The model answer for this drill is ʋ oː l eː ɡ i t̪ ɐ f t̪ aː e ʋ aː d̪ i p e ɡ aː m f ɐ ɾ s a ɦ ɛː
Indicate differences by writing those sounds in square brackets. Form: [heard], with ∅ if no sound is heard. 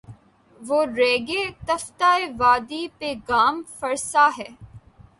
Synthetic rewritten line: ʋ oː [ɾ] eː ɡ [e] t̪ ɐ f t̪ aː e ʋ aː d̪ i p e ɡ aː m f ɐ ɾ s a ɦ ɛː